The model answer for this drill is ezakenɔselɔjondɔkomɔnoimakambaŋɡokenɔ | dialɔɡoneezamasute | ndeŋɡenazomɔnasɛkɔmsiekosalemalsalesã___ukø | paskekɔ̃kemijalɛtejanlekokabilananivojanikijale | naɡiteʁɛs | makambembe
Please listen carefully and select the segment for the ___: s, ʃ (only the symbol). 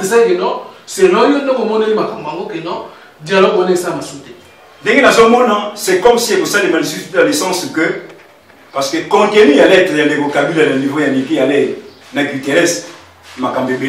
s